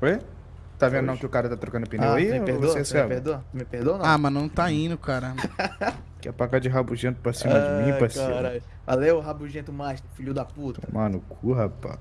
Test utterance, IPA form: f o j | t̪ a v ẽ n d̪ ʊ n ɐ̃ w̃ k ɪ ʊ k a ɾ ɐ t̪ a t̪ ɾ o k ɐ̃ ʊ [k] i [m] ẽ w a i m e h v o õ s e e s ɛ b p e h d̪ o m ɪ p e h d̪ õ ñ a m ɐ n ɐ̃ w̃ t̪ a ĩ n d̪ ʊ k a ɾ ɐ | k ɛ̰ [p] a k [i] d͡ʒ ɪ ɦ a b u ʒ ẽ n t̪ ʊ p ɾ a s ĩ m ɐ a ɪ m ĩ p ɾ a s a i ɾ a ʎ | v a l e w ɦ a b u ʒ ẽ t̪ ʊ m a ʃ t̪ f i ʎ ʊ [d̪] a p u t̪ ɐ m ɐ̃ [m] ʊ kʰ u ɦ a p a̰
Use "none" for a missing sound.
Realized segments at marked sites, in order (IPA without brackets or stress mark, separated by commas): p, n, p, a, d̪, n